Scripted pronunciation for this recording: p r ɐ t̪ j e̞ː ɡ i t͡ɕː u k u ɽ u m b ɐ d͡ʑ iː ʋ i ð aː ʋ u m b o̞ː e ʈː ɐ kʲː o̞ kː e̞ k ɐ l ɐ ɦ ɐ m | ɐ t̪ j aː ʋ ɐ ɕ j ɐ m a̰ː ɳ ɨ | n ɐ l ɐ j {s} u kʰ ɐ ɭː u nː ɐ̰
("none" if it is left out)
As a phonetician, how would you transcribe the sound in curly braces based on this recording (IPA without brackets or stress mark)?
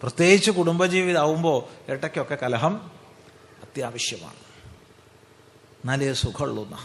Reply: s